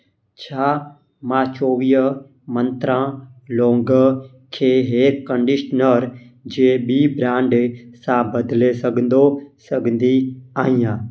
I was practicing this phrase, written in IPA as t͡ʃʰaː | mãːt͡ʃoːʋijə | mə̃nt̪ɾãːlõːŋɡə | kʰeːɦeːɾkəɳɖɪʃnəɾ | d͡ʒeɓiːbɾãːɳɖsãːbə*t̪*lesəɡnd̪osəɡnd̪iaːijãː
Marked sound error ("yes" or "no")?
yes